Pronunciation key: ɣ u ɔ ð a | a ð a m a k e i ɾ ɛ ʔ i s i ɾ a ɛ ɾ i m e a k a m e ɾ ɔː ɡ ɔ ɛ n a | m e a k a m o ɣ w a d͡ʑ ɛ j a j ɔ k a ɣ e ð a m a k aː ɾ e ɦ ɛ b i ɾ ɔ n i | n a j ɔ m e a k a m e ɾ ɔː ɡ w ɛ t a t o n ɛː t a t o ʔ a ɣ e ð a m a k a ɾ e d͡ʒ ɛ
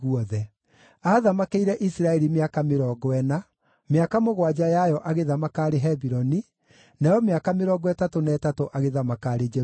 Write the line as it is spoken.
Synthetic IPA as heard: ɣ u ɔ ð ɛ | a ð a m a k e i ɾ ɛ ʔ i s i ɾ a ɛ ɾ i m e a k a m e ɾ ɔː ɡ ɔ ɛ n a | m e a k a m o ɣ w a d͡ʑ a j a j ɔ ʔ a ɣ e ð a m a k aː ɾ e ɦ ɛ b i ɾ ɔ n i | n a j ɔ m e a k a m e ɾ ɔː ɡ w ɛ t a t o n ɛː t a t o ʔ a ɣ e ð a m a k a ɾ e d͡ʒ ɛ